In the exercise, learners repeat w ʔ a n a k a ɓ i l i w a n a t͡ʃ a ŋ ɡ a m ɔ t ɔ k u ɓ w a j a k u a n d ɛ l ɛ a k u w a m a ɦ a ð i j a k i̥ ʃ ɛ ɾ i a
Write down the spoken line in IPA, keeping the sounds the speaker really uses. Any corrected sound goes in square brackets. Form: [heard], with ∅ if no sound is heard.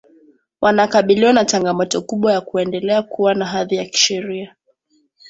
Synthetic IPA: w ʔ a n a k a ɓ i l i w a n a t͡ʃ a ŋ ɡ a m ɔ t ɔ k u ɓ w a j a k u [ɛ] n d ɛ l ɛ a k u w a [n] a ɦ a ð i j a k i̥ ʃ ɛ ɾ i a